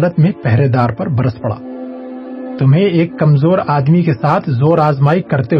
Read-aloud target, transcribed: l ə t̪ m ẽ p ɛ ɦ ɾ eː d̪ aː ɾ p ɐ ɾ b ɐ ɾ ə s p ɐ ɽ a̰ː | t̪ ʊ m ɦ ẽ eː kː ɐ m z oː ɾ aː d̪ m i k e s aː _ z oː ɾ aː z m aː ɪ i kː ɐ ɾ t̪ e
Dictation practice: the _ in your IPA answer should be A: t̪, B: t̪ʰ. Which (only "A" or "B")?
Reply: B